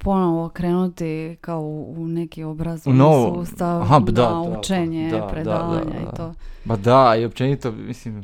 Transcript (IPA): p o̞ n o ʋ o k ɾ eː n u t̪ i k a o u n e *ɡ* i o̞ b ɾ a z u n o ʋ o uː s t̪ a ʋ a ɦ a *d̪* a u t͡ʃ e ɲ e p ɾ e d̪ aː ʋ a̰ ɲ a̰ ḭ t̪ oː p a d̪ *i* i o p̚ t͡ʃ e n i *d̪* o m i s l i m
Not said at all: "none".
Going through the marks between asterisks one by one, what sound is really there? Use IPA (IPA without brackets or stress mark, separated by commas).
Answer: k, d̪, a, t̪